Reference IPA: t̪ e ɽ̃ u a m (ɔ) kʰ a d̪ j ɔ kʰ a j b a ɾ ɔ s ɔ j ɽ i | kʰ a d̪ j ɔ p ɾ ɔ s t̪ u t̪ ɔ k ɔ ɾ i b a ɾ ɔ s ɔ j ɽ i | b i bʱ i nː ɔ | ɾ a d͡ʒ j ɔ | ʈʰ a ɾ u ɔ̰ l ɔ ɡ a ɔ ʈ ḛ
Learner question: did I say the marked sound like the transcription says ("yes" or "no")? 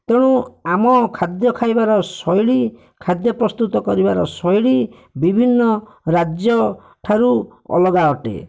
yes